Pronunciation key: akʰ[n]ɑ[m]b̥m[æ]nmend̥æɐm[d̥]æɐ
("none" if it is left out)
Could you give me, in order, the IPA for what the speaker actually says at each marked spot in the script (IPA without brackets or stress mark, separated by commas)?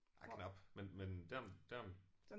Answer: n, none, e, d̥